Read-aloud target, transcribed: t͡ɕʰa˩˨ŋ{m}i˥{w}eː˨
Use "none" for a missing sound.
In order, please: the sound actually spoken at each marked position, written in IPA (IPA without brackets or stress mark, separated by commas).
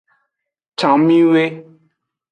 m, w